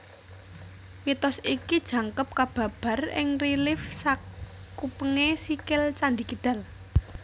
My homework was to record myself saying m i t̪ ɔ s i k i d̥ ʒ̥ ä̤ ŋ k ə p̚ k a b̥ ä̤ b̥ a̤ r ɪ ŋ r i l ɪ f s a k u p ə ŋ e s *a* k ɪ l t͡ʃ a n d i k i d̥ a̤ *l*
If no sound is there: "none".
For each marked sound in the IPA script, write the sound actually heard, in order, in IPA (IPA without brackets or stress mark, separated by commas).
i, l